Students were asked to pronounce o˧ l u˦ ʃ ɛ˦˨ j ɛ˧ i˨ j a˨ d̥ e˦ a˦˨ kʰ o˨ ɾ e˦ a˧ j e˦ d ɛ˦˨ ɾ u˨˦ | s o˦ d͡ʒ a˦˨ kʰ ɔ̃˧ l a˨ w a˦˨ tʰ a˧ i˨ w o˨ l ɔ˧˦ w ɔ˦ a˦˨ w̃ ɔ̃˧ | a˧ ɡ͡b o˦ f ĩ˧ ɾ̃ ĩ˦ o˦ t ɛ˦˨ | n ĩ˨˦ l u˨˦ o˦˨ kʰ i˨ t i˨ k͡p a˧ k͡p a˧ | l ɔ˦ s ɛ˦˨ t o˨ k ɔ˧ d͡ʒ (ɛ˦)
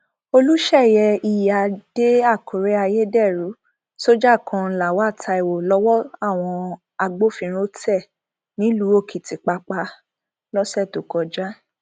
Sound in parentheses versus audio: incorrect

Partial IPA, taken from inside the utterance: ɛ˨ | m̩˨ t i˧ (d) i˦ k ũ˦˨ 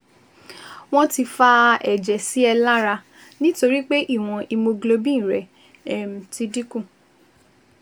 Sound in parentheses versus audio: correct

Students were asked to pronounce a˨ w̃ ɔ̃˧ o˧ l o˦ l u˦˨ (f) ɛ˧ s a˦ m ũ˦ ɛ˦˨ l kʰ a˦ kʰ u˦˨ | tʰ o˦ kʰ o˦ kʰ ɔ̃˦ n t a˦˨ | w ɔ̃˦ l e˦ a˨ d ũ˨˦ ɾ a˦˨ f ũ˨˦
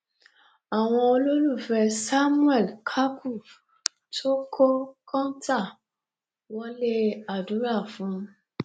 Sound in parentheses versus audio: correct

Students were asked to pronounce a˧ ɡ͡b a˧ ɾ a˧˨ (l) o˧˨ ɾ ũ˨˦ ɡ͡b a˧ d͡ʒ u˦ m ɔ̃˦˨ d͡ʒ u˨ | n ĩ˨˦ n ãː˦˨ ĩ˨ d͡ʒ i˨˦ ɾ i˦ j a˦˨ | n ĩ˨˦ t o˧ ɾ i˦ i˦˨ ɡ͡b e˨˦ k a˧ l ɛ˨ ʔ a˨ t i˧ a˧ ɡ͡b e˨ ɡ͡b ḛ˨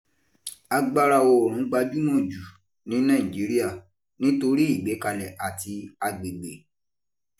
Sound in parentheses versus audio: incorrect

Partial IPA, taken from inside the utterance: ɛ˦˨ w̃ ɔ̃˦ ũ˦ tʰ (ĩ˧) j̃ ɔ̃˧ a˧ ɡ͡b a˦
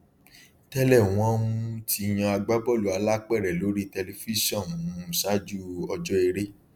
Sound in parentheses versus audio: incorrect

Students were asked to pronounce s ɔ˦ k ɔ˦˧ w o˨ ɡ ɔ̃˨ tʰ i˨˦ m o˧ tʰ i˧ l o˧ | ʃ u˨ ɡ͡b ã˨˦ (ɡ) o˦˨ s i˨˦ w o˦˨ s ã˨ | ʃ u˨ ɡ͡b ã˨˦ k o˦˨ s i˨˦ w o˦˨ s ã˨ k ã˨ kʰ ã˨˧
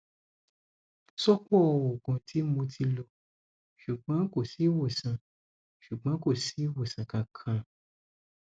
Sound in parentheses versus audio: incorrect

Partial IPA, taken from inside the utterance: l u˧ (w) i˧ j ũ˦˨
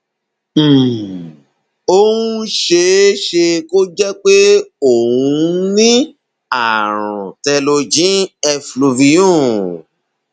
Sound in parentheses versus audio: incorrect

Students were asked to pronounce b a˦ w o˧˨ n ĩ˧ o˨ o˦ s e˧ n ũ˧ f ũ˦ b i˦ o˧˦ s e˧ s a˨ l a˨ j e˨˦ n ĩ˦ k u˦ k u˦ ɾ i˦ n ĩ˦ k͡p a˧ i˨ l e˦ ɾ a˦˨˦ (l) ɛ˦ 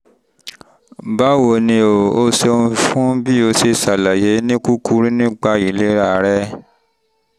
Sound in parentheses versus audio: incorrect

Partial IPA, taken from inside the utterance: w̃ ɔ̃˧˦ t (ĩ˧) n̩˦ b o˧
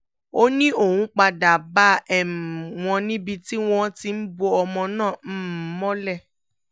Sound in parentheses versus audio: incorrect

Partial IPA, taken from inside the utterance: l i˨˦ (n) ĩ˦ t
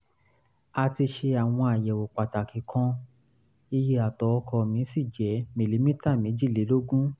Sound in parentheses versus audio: incorrect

